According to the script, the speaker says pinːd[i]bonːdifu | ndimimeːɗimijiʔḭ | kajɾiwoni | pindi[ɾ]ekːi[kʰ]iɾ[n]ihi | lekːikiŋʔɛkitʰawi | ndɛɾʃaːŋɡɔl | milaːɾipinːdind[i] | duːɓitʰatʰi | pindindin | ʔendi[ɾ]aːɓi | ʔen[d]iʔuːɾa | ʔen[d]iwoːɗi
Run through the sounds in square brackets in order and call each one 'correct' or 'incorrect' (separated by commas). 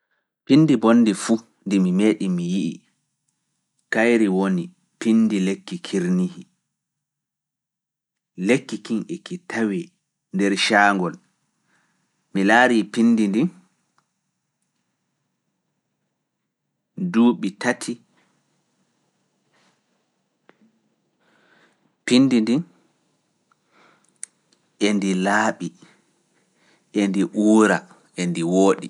correct, incorrect, correct, correct, correct, incorrect, correct, correct